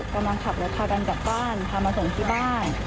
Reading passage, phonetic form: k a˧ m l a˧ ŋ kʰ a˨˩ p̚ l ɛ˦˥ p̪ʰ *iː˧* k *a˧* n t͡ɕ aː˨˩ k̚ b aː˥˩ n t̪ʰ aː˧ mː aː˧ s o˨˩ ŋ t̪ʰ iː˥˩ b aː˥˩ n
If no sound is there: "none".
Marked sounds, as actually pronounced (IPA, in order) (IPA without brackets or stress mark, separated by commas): aː˧, a˧